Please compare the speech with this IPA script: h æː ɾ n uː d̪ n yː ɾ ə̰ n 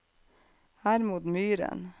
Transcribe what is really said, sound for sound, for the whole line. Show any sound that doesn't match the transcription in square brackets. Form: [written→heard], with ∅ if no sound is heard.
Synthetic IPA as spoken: h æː ɾ [n→m] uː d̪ [n→m] yː ɾ ə̰ n